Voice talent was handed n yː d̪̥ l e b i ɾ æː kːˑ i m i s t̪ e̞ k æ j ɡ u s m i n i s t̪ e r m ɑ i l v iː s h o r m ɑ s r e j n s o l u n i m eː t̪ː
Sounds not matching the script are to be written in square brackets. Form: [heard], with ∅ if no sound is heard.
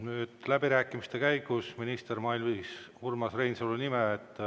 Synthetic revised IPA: n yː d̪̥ l [æ] b i ɾ æː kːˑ i m i s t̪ e̞ k æ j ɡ u s m i n i s t̪ e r m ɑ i l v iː s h [u] r m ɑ s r e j n s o l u n i m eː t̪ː